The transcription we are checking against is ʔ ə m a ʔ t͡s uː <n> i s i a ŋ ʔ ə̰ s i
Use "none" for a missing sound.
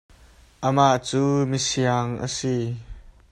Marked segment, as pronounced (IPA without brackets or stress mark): m